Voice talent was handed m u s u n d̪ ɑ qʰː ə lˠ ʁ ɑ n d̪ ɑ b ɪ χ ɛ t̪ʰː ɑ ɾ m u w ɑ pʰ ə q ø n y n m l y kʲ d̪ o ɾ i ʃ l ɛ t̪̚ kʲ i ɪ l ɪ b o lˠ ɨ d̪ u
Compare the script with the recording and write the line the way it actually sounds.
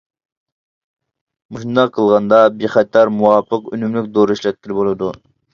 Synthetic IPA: m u ʃ u n d̪ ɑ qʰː ə lˠ ʁ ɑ n d̪ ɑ b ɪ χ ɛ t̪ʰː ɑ ɾ m u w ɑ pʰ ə q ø n y m l y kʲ d̪ o ɾ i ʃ l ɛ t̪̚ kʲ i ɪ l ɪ b o lˠ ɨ d̪ u